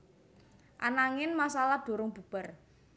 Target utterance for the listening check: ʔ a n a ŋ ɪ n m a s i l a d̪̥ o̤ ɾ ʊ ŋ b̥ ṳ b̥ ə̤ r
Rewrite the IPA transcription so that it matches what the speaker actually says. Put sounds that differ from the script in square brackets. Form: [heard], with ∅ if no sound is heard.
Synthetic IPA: ʔ a n a ŋ ɪ n m a s [a] l a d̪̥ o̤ ɾ ʊ ŋ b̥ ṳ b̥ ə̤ r